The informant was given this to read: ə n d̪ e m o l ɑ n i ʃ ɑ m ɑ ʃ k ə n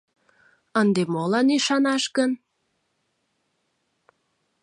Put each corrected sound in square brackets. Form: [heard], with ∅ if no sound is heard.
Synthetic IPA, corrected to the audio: ə n d̪ e m o l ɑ n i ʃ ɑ [n] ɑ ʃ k ə n